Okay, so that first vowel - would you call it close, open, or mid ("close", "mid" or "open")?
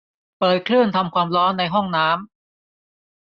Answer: mid